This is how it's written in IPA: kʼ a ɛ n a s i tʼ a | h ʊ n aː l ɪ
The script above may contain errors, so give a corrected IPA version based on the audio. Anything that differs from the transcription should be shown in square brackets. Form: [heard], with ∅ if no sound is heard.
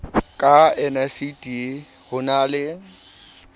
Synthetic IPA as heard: kʼ a ɛ n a s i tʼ [i] | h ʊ n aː l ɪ